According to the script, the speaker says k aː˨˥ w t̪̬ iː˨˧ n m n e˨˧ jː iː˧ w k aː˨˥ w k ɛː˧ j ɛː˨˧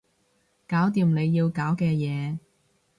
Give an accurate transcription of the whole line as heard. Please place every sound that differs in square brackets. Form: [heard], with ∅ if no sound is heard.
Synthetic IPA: k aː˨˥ w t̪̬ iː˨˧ [∅] m n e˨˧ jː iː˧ w k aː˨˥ w k ɛː˧ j ɛː˨˧